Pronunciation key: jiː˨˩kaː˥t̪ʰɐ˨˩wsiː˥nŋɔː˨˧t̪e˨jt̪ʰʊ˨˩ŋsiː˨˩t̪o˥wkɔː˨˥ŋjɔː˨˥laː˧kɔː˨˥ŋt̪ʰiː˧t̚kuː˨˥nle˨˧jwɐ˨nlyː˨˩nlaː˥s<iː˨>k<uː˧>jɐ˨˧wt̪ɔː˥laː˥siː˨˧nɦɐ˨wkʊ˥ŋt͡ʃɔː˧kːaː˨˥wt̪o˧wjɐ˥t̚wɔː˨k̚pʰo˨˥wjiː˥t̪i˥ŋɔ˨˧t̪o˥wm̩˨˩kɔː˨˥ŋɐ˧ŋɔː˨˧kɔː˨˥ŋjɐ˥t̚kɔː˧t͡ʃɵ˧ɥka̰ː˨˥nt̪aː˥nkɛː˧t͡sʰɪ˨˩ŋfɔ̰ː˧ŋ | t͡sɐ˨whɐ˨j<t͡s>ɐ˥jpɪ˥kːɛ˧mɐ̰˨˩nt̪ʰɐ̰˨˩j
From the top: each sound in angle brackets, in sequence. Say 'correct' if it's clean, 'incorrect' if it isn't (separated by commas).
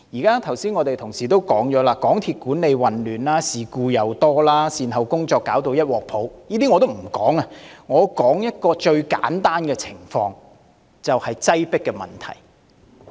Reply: correct, correct, correct